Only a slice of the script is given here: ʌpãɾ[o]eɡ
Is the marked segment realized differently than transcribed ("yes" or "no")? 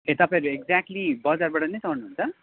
yes